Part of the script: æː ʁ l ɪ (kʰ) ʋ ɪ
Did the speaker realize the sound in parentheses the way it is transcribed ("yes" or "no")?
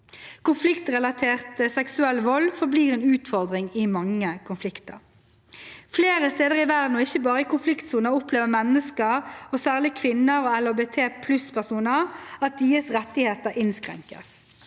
yes